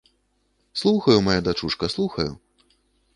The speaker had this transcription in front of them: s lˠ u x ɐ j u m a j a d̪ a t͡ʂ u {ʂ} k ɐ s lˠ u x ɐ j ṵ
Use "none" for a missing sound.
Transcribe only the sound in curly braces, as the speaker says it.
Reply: ʂ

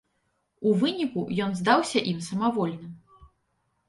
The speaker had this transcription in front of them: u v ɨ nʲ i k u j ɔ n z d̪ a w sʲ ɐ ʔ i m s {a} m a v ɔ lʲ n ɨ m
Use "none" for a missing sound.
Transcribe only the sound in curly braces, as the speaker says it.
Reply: ɐ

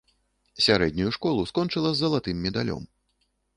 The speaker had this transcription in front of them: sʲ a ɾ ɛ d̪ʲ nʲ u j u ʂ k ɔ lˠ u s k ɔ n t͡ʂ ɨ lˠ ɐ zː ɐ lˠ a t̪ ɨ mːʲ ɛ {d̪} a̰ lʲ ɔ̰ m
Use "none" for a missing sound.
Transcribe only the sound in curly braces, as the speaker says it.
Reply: d̪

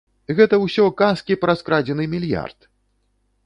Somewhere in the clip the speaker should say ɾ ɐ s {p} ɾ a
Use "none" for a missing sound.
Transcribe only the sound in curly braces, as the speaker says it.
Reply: k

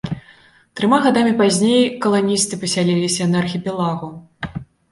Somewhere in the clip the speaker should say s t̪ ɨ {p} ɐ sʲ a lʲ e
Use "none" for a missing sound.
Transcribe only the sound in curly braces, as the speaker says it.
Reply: p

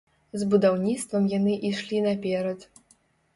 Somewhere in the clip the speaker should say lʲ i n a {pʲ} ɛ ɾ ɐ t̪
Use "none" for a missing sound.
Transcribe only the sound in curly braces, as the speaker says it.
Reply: pʲ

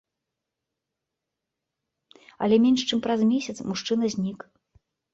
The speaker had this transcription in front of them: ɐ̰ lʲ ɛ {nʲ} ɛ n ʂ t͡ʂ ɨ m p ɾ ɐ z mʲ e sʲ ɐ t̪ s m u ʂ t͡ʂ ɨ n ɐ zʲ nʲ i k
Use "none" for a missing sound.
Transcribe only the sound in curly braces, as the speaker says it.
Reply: mʲ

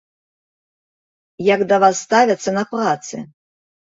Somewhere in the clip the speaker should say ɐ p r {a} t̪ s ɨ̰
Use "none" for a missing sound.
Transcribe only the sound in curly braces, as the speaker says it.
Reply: a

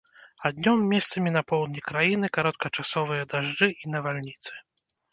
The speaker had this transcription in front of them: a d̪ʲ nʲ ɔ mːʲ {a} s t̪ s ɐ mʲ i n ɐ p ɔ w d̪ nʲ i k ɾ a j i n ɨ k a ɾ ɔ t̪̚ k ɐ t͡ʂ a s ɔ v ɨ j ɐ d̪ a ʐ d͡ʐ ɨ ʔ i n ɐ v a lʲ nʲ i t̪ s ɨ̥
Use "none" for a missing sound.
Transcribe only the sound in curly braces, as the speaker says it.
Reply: ɛ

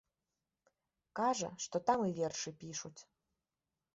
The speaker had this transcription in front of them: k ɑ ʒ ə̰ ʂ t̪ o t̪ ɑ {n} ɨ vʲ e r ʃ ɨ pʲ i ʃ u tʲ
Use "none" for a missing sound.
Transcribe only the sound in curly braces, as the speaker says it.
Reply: m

